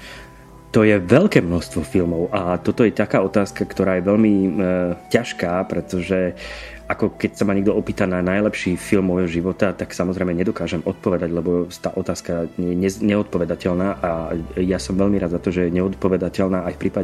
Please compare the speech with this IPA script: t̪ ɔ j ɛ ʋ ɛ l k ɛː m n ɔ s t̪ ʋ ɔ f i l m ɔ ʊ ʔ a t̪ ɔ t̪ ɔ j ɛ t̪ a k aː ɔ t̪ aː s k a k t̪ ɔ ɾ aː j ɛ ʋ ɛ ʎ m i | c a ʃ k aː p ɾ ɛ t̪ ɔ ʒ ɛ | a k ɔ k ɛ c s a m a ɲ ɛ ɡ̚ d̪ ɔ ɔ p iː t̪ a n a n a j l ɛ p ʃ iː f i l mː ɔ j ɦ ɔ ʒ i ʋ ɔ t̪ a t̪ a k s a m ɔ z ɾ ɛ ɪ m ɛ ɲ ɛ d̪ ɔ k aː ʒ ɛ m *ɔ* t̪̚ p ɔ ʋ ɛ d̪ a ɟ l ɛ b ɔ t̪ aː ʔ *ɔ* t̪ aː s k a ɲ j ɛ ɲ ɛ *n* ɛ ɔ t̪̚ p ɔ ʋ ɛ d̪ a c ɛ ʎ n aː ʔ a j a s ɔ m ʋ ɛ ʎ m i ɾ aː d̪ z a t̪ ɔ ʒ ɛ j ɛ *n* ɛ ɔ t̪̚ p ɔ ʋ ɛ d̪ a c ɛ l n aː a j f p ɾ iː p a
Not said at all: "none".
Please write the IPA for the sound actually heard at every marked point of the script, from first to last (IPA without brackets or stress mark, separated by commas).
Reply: ɔ, ɔ, ɲ, ɲ